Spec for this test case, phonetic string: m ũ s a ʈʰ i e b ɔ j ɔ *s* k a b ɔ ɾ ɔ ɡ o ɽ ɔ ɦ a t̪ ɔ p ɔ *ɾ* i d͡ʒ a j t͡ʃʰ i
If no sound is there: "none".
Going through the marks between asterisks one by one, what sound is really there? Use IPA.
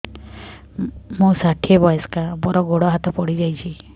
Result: s, ɽ

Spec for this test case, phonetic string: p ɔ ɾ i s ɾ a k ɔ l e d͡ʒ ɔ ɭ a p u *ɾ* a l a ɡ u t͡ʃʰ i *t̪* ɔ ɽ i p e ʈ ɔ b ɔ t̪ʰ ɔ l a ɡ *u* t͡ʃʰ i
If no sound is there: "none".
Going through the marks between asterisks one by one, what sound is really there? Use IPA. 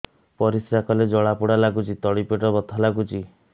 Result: ɽ, t̪, u

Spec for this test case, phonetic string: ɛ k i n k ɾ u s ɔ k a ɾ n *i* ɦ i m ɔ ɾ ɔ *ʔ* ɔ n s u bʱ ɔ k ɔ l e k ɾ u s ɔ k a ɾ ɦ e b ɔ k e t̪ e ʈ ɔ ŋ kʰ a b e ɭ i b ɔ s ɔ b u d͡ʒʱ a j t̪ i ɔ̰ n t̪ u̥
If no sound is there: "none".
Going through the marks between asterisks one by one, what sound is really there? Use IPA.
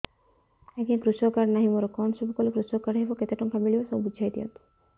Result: a, k

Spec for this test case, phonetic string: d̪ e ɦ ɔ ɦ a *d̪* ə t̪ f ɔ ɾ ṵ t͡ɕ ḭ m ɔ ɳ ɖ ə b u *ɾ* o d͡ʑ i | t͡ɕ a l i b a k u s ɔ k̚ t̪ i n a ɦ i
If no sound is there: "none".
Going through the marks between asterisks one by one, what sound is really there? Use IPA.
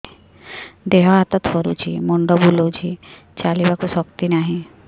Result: t̪, l

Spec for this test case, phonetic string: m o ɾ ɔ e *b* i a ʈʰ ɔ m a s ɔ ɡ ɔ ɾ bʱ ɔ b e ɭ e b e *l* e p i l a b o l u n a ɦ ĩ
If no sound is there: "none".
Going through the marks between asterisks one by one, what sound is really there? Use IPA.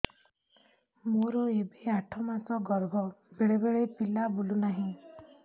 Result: b, ɭ

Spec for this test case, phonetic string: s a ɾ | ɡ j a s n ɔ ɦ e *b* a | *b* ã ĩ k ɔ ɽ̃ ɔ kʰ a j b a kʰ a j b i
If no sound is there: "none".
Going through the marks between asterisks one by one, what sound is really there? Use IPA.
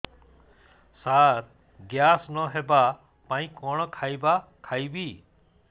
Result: b, p

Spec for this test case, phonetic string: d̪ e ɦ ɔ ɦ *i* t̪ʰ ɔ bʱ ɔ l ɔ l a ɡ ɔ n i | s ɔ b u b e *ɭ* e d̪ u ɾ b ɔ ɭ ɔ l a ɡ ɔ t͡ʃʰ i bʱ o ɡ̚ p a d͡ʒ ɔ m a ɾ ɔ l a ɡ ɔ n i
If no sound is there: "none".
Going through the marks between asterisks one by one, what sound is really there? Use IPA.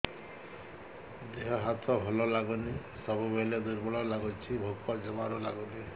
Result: a, l

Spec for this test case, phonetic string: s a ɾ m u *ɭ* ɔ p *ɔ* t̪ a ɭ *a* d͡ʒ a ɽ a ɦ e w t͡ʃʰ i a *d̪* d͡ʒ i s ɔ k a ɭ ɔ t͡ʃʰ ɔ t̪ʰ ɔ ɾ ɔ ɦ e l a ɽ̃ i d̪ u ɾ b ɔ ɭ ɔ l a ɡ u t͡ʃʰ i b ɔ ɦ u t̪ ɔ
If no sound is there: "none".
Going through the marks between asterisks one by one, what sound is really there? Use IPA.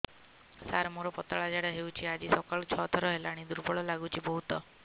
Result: ɾ, ɔ, a, none

